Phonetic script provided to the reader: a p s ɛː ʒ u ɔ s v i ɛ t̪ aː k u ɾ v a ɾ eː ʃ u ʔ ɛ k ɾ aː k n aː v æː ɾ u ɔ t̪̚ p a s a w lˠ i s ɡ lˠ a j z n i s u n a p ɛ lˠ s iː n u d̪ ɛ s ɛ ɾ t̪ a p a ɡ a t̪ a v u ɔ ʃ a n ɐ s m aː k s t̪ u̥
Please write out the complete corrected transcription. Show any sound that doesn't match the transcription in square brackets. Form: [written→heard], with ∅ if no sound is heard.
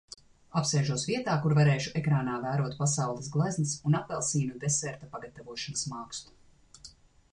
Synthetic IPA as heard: a p s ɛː ʒ u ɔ s v i ɛ t̪ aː k u ɾ v a ɾ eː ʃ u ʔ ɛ k ɾ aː [k→∅] n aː v æː ɾ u ɔ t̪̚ p a s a w lˠ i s ɡ lˠ a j z n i s u n a p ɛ lˠ s iː n u d̪ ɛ s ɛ ɾ t̪ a p a ɡ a t̪ a v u ɔ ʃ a n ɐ s m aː k s t̪ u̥

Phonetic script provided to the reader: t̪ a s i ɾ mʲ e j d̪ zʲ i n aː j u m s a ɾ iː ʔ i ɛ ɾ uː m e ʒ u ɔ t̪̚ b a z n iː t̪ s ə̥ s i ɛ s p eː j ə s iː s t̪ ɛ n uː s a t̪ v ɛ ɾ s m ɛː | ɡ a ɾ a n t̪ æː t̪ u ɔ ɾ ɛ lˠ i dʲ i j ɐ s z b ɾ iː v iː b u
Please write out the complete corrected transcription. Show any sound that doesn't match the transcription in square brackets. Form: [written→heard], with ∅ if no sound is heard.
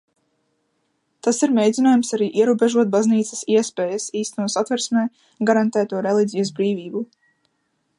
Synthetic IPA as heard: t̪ a s i ɾ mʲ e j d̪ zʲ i n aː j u m s a ɾ iː ʔ i ɛ ɾ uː [m→b] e ʒ u ɔ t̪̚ b a z n iː t̪ s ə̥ s i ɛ s p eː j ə s iː s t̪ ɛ n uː s a t̪ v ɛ ɾ s m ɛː | ɡ a ɾ a n t̪ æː t̪ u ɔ ɾ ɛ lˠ i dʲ i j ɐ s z b ɾ iː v iː b u

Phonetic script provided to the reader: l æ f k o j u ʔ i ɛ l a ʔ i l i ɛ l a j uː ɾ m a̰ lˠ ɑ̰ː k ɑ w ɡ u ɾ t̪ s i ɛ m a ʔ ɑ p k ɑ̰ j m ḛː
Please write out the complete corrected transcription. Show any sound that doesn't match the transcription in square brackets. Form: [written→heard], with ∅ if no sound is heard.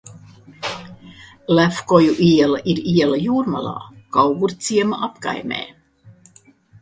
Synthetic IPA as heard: l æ f k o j u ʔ i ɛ l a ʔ i [l→ɾ] i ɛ l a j uː ɾ m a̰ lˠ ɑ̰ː k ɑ w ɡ u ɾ t̪ s i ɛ m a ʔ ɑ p k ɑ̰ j m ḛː

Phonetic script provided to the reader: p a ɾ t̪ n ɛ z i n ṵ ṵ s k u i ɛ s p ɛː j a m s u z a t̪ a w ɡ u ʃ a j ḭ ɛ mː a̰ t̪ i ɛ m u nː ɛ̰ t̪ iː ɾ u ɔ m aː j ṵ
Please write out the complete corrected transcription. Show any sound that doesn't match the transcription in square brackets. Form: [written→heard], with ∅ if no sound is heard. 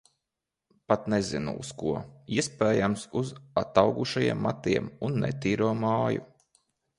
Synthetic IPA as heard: p a [ɾ→∅] t̪ n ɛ z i n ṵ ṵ s k u i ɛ s p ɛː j a m s u z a t̪ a w ɡ u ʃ a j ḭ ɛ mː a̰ t̪ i ɛ m u nː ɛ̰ t̪ iː ɾ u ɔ m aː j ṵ

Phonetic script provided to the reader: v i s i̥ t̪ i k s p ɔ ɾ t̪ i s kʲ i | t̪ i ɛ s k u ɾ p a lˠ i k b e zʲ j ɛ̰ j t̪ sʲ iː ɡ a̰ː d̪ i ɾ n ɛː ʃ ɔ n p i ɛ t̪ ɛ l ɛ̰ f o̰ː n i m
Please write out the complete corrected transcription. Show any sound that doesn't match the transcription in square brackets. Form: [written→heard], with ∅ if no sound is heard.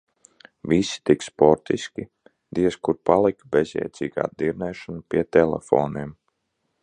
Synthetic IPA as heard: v i s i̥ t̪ i k s p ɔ ɾ t̪ i s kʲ i | [t̪→d̪] i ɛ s k u ɾ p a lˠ i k b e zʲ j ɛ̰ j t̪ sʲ iː ɡ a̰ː d̪ i ɾ n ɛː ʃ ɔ n p i ɛ t̪ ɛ l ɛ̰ f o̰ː n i m

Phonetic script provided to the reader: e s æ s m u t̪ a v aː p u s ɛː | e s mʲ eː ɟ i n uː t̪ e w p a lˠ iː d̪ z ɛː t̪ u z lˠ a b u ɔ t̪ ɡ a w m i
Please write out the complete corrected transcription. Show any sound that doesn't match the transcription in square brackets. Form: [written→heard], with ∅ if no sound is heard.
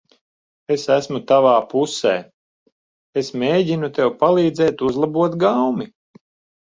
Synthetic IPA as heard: e s æ s m u t̪ a v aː p u s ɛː | e s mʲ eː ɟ i n [uː→u] t̪ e w p a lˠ iː d̪ z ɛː t̪ u z lˠ a b u ɔ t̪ ɡ a w m i

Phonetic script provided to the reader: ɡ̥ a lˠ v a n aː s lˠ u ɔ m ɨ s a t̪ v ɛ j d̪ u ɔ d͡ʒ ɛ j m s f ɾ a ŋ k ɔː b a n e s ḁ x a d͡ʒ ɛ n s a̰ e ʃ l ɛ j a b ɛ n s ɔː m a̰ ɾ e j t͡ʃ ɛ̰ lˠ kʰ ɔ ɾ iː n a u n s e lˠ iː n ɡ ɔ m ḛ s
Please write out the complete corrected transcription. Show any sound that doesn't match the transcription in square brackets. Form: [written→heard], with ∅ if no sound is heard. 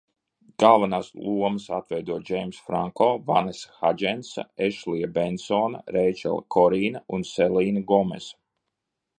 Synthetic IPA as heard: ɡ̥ a lˠ v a n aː s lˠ u ɔ m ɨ s a t̪ v ɛ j d̪ u ɔ d͡ʒ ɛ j m s f ɾ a ŋ k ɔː [b→v] a n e s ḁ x a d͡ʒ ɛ n s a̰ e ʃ l [ɛ→i] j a b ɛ n s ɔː [m→n] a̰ ɾ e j t͡ʃ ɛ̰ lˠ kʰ ɔ ɾ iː n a u n s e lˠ iː n ɡ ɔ m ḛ s

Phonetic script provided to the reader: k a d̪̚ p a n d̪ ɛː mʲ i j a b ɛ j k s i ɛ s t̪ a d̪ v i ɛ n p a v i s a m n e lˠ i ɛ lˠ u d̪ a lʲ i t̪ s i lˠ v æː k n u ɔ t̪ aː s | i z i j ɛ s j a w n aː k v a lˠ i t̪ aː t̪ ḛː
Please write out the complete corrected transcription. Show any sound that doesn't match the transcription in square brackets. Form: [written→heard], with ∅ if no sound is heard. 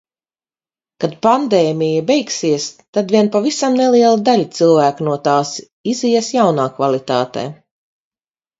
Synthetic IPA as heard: k a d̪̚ p a n d̪ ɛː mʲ i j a b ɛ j k s i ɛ s t̪ a d̪ v i ɛ n p a v i s a m n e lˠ i ɛ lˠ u d̪ a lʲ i t̪ s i lˠ v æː k n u ɔ t̪ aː s | i z i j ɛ s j a w n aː k v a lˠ i t̪ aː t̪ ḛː

